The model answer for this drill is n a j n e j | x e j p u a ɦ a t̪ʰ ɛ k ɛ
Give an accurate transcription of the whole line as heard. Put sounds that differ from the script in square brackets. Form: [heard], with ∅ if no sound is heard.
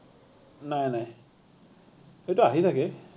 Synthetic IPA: n a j n [a] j | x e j [t] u a ɦ [i] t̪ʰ [a] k ɛ